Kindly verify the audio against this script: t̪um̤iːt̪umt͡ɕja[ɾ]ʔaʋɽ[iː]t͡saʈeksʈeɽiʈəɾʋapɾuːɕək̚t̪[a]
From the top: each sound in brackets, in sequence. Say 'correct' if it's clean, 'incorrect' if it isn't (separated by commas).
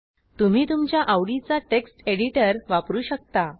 incorrect, incorrect, correct